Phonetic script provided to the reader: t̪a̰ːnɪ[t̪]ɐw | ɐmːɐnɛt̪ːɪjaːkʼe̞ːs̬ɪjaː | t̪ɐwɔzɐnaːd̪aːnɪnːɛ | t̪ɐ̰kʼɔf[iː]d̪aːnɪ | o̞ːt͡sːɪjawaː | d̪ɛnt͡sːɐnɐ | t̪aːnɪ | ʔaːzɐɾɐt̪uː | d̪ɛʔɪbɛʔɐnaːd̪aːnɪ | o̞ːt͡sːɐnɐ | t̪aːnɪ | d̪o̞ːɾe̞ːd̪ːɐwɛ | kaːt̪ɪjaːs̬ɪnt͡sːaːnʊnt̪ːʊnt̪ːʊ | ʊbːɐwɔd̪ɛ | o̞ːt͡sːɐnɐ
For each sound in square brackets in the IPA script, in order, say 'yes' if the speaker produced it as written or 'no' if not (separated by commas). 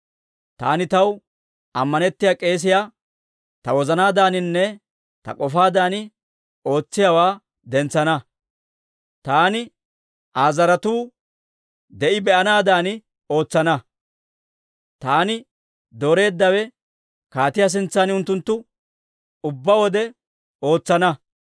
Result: yes, no